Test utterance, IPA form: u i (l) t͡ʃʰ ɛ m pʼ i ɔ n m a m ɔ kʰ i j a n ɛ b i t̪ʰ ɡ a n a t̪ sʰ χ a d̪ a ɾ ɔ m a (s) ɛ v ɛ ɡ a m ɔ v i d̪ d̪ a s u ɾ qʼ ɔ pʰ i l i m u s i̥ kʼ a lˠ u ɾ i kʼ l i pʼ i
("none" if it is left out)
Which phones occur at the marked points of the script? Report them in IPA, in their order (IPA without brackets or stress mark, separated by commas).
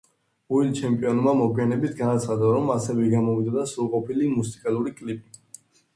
l, s